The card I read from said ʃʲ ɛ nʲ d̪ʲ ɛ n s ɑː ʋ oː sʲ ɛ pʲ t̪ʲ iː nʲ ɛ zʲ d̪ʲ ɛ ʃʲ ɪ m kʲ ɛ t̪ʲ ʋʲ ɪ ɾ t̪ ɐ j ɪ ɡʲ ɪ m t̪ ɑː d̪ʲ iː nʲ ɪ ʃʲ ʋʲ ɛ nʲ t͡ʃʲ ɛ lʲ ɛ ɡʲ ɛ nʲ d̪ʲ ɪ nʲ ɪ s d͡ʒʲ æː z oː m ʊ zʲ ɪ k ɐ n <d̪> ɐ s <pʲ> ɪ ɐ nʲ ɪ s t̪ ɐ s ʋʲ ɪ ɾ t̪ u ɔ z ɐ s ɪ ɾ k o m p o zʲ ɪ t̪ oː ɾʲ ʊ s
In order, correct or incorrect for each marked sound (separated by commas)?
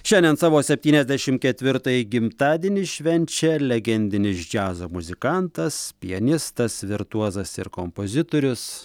incorrect, correct